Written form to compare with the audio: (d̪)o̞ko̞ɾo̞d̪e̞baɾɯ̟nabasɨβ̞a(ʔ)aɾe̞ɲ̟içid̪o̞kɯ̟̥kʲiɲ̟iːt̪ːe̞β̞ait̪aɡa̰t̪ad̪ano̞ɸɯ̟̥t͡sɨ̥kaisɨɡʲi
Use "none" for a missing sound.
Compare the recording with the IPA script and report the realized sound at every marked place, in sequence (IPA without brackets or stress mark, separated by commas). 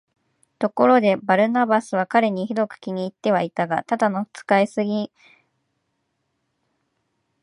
t̪, k